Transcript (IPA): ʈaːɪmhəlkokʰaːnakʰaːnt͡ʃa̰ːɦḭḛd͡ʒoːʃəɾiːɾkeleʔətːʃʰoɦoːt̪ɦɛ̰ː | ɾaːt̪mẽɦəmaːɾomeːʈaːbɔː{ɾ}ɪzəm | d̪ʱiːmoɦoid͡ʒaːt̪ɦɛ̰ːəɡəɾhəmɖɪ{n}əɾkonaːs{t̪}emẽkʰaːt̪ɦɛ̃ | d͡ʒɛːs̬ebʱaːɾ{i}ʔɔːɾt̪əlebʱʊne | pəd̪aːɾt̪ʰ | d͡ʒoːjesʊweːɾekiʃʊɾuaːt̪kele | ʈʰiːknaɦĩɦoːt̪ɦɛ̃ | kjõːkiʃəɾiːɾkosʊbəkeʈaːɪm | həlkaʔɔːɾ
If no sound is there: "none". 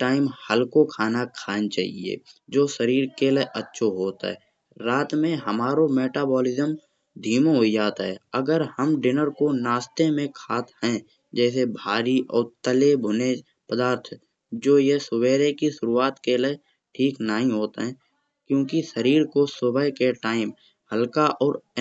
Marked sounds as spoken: l, n, t̪, i

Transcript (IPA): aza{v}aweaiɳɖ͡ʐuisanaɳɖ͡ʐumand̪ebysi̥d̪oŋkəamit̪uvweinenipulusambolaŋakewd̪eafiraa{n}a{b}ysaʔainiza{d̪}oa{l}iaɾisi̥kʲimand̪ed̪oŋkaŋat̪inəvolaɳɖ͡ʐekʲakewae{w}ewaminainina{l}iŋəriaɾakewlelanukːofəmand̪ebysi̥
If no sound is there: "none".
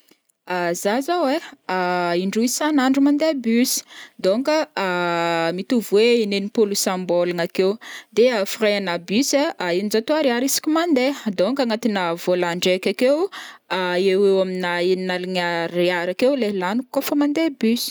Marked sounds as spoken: z, n, b, t̪, ɾ, w, l

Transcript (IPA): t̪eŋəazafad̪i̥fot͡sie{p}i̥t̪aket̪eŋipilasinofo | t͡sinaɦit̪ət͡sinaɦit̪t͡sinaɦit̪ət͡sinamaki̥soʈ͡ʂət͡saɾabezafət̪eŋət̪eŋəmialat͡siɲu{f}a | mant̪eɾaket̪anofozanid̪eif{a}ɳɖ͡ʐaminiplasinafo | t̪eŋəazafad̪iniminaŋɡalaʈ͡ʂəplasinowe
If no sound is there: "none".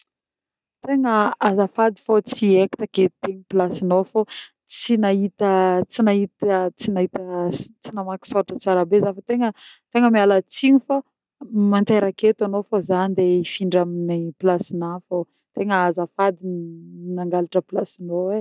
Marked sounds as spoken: k, f, i

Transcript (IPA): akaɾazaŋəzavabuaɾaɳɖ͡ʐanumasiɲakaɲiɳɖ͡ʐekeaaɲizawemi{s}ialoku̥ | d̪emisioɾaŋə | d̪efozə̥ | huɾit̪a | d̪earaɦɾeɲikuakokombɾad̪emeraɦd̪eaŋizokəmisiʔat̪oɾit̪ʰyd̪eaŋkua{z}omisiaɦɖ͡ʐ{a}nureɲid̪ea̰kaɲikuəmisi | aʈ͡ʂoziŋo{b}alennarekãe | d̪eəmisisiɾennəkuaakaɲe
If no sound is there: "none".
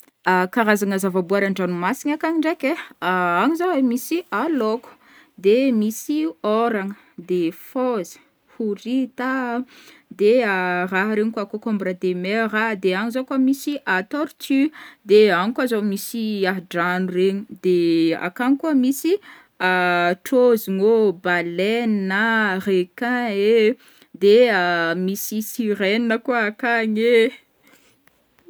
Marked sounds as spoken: s, z, a, b

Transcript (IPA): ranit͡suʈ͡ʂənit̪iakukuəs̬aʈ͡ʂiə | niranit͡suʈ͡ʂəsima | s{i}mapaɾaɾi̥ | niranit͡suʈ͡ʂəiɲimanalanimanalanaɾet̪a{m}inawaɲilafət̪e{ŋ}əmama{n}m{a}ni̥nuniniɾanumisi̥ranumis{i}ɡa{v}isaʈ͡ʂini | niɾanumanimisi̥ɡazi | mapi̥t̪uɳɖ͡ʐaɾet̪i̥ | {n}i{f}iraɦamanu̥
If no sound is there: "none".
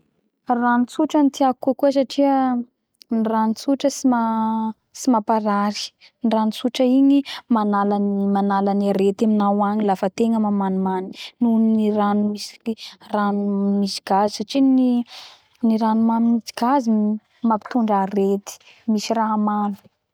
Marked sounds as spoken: i, m, ŋ, n, a, i, z, m, s

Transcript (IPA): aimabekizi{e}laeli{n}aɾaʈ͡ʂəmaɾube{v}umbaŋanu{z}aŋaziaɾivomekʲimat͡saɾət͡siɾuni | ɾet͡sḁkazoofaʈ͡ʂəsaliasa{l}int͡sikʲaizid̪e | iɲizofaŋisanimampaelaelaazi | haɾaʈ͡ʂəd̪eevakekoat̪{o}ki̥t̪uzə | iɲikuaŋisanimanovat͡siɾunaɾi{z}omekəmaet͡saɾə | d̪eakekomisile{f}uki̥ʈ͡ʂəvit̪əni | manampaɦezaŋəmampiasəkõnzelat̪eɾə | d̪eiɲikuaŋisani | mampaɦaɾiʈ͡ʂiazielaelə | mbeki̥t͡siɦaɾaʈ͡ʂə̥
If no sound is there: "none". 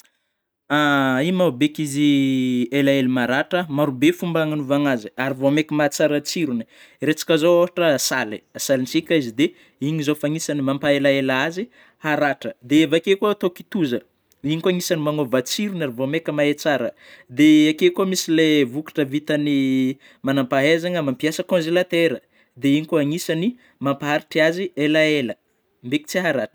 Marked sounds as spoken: e, m, f, v, l, o, v, v

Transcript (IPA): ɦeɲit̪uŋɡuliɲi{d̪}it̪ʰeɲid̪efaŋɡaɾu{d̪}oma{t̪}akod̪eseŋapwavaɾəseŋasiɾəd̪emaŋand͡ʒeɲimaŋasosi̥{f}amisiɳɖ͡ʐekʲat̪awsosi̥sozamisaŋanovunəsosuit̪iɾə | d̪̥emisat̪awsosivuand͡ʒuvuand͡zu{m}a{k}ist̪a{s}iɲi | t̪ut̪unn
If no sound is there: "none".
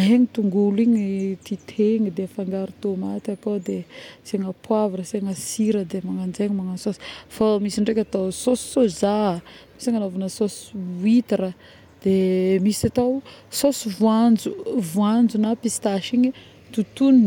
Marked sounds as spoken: t̪, t̪, t̪, f, n, p, ʃ

